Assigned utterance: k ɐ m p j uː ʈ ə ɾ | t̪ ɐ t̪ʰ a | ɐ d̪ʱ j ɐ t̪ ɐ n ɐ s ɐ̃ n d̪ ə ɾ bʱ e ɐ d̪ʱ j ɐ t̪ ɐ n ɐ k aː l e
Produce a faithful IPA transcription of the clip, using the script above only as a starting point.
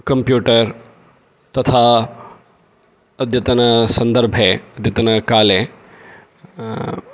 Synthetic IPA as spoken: k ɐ m p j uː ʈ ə ɾ | t̪ ɐ t̪ʰ a | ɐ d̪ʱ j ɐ t̪ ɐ n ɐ s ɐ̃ n d̪ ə ɾ bʱ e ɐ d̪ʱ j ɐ t̪ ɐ n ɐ k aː l e